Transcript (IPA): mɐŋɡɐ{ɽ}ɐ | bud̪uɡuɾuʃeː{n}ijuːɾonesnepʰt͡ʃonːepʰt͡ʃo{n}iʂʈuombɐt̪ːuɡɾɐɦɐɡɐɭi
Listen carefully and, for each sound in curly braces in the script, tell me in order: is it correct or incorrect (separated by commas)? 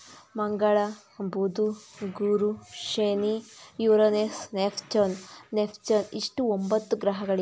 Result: incorrect, correct, correct